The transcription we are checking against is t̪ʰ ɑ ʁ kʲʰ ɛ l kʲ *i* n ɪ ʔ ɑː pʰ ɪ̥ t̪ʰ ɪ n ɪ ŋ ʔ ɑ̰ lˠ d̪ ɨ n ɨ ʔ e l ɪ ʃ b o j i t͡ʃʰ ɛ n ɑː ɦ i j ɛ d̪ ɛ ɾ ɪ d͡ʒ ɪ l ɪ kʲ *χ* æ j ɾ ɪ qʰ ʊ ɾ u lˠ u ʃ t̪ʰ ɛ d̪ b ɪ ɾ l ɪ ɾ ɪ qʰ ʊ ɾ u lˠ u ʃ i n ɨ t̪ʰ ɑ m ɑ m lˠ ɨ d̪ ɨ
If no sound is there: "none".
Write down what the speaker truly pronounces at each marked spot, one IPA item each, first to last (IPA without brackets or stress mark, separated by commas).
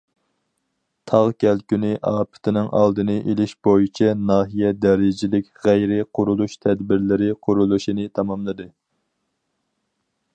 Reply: y, ʁ